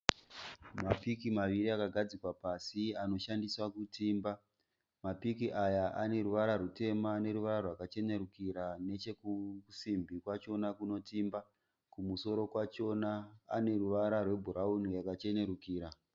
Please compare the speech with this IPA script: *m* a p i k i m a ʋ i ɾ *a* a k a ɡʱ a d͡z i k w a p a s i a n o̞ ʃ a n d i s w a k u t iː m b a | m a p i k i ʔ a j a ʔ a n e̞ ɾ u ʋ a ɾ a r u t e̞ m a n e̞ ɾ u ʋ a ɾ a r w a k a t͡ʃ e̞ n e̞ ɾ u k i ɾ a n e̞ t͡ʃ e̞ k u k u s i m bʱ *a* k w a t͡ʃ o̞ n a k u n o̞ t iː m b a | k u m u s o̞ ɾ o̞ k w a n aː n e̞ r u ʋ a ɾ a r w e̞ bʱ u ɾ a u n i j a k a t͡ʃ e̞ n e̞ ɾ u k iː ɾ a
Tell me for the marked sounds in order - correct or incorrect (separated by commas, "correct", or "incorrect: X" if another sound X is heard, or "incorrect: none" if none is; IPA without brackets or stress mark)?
correct, incorrect: i, incorrect: i